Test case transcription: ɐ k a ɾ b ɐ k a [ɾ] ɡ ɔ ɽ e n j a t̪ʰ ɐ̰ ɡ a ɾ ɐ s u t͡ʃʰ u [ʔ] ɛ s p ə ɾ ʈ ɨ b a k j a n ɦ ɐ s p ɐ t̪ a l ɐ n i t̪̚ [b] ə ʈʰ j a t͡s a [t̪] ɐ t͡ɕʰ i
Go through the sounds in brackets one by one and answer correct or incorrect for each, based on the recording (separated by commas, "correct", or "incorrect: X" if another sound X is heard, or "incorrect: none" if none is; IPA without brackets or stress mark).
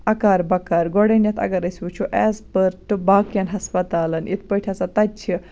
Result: correct, correct, incorrect: p, correct